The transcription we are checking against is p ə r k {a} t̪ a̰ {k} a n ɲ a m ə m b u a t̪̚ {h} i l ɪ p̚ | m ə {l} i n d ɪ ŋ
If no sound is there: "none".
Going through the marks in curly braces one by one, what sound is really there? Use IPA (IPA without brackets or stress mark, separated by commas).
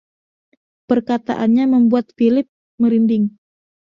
a, ʔ, f, ɾ